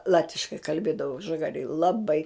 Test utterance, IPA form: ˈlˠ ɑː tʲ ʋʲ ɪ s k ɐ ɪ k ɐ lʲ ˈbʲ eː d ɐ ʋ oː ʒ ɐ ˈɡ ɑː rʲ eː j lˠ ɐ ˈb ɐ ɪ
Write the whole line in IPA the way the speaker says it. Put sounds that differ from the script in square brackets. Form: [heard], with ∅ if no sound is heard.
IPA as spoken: ˈlˠ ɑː tʲ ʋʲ ɪ [ʃ] k ɐ ɪ k ɐ lʲ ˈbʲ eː d ɐ ʋ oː ʒ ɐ ˈɡ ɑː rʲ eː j lˠ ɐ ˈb ɐ ɪ

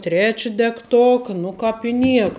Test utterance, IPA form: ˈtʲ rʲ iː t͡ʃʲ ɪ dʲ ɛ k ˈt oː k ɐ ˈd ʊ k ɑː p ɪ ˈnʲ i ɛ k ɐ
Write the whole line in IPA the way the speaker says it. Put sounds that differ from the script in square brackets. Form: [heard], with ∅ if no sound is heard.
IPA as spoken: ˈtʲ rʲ [æː] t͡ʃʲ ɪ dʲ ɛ k ˈt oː k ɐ [ˈn] ʊ k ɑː p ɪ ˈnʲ i ɛ k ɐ

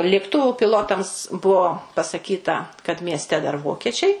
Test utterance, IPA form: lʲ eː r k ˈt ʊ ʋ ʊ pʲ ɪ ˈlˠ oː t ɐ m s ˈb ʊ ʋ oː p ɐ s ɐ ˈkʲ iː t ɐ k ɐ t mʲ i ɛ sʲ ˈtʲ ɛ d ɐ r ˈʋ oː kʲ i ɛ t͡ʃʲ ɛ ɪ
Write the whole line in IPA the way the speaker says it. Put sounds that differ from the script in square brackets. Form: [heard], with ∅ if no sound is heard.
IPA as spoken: lʲ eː [∅] k ˈt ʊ ʋ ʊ pʲ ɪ ˈlˠ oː t ɐ m s ˈb ʊ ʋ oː p ɐ s ɐ ˈkʲ iː t ɐ k ɐ t mʲ i ɛ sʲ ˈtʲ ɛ d ɐ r ˈʋ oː kʲ i ɛ t͡ʃʲ ɛ ɪ

